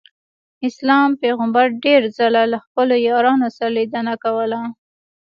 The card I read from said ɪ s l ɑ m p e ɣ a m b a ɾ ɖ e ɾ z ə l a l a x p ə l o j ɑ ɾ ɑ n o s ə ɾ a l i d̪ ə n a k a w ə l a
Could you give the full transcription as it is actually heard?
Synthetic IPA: ɪ s l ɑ m p e ɣ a m b a ɾ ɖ e ɾ z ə l a l a x p ə l o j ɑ ɾ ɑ n o s a ɾ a l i d̪ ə n a k a w ə l a